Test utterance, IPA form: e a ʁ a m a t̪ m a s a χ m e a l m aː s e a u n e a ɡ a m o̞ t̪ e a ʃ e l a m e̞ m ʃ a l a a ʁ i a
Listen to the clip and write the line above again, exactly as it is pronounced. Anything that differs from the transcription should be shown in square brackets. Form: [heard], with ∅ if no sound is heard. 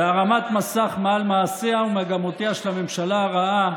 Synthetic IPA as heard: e a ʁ a m a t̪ m a s a χ m e a l m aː s e a u [m] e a ɡ a m o̞ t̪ e a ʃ e l a m e̞ m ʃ a l a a ʁ [a] a